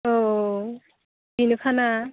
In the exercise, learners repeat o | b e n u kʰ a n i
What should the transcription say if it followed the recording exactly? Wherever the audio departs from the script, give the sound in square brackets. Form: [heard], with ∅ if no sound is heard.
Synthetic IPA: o | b [i] n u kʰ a n [a]